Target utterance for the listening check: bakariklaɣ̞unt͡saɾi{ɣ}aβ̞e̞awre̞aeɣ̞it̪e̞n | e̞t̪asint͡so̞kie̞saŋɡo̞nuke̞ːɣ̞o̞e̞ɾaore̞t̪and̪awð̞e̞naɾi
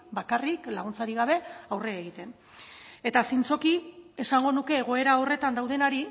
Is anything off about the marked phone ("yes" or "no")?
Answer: no